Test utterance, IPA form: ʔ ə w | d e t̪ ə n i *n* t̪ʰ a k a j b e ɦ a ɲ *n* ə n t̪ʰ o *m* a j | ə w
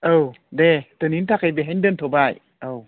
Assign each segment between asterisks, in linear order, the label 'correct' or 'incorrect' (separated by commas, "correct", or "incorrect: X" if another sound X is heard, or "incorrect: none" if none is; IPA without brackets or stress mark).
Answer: correct, incorrect: d, incorrect: b